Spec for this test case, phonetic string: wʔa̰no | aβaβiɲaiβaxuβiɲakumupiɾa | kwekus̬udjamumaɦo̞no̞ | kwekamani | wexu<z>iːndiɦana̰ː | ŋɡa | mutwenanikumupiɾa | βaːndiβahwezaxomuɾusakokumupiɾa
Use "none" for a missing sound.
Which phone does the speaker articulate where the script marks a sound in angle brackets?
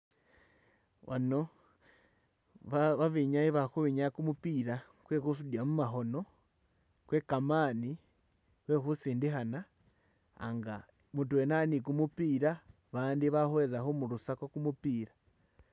s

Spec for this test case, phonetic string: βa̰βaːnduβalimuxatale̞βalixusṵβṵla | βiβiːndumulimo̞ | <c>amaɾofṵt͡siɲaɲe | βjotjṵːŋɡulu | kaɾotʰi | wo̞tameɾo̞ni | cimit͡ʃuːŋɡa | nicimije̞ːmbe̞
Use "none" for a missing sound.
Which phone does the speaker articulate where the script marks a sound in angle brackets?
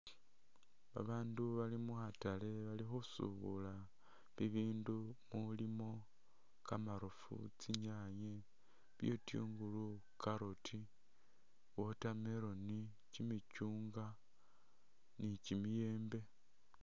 k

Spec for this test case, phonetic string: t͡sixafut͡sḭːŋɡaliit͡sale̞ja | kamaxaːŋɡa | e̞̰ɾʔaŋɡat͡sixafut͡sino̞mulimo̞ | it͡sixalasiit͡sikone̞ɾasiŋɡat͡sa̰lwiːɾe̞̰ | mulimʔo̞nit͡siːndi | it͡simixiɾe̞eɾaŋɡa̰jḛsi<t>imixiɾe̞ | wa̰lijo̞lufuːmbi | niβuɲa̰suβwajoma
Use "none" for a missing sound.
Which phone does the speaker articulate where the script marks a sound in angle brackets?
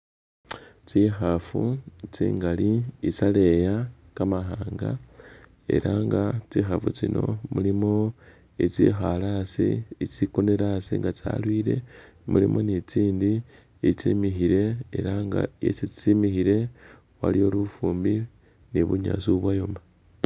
t͡s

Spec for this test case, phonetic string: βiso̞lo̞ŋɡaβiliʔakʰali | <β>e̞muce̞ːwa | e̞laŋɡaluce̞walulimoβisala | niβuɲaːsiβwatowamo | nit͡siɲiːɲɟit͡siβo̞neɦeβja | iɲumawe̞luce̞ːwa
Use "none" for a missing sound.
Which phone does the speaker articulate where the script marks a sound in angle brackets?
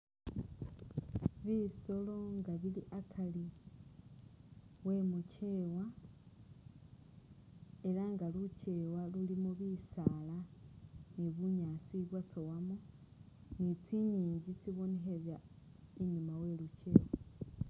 w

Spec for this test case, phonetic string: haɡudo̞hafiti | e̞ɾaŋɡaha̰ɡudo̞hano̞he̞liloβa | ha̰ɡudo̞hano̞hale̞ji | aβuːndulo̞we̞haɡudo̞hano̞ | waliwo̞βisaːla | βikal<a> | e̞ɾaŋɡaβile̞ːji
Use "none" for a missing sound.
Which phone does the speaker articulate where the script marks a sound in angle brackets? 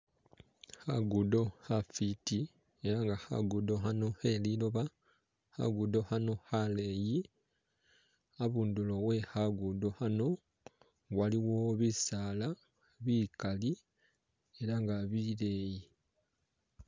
i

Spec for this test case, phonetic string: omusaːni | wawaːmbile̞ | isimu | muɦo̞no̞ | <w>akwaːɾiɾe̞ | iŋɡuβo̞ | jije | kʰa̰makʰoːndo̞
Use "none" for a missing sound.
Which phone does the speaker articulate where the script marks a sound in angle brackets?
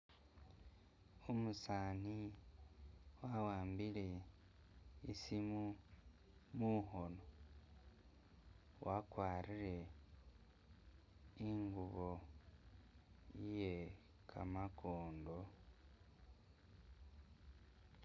w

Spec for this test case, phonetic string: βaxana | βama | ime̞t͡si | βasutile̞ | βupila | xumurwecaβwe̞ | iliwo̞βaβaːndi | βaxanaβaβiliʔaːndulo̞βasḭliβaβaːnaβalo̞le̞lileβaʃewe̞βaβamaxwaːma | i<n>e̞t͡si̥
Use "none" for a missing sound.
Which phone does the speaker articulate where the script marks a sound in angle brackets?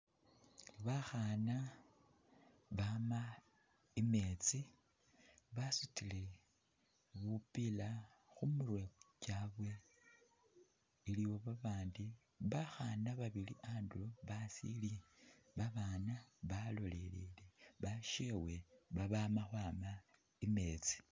m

